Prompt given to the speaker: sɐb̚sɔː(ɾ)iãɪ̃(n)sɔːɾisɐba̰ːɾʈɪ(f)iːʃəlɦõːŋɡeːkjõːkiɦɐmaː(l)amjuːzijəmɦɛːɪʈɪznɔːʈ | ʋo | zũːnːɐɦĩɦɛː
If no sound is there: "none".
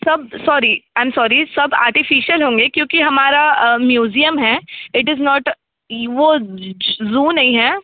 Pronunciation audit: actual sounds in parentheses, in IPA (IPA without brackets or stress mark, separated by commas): ɾ, m, f, ɾ